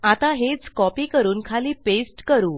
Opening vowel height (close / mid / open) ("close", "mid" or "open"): open